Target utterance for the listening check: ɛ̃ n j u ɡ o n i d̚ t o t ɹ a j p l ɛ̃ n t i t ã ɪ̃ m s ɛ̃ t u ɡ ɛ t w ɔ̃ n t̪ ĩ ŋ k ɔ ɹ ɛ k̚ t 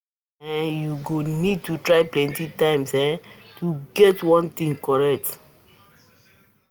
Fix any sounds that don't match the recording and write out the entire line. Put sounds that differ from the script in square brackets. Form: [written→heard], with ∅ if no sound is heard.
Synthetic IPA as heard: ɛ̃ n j u ɡ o n i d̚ t [o→u] t ɹ a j p l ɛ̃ n t i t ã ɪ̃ m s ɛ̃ t u ɡ ɛ t w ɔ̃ n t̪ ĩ ŋ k ɔ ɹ ɛ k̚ t